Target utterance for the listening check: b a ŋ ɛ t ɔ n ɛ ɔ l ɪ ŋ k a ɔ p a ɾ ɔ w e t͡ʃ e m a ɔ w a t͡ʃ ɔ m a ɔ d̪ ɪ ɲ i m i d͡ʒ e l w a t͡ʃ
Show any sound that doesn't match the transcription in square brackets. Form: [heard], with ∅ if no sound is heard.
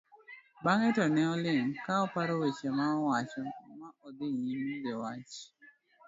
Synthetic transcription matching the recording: b a ŋ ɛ t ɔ n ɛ ɔ l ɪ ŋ k a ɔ p a ɾ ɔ w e t͡ʃ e m a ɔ w a t͡ʃ ɔ m a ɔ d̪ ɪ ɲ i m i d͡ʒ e [∅] w a t͡ʃ